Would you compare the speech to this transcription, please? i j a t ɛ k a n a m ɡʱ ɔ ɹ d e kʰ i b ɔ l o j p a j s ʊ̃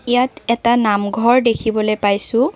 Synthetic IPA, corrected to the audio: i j a t ɛ t a n a m ɡʱ ɔ ɹ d e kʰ i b ɔ l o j p a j s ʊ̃

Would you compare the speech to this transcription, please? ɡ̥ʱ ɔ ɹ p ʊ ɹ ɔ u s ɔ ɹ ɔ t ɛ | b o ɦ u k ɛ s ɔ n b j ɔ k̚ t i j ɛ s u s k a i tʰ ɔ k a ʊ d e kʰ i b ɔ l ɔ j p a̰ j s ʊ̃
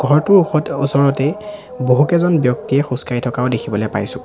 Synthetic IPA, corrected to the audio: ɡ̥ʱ ɔ ɹ t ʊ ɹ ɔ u s ɔ ɹ ɔ t ɛ | b o ɦ u k ɛ z ɔ n b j ɔ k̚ t i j ɛ x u s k a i tʰ ɔ k a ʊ d e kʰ i b ɔ l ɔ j p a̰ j s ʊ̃

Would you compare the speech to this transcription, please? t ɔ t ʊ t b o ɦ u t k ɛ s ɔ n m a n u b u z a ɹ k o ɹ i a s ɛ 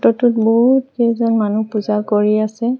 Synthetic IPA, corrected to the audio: t ɔ t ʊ t b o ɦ u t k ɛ z ɔ n m a n u p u z a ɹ k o ɹ i a s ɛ

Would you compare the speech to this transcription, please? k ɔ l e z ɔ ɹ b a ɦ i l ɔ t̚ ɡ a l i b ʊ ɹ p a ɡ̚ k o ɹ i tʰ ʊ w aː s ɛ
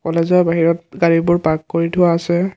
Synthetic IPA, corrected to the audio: k ɔ l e z ɔ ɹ b a ɦ i ɹ ɔ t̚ ɡ a ɹ i b ʊ ɹ p a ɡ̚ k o ɹ i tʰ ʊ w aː s ɛ

